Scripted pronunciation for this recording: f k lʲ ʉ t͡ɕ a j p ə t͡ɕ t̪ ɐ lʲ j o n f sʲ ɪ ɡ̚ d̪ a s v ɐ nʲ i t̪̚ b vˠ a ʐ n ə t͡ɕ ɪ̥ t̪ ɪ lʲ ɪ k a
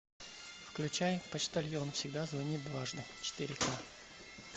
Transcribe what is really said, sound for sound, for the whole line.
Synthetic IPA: f k lʲ ʉ t͡ɕ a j p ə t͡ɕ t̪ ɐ lʲ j o n f sʲ ɪ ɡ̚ d̪ a z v ɐ nʲ i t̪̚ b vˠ a ʐ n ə t͡ɕ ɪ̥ t̪ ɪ ɾʲ ɪ k a